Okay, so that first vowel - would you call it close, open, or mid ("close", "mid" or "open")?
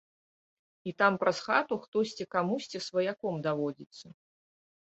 close